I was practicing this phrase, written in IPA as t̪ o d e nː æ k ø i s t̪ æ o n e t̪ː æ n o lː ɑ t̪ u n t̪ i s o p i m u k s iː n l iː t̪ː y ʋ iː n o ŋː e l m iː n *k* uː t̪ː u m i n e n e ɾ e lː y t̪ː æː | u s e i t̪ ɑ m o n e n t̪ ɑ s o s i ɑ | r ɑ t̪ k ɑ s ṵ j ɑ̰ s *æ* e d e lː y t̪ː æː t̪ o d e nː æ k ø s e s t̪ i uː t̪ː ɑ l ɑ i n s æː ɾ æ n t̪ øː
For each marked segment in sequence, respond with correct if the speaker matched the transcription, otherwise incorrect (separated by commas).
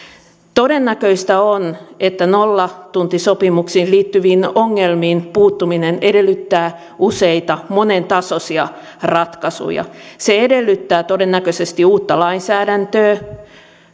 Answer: incorrect, incorrect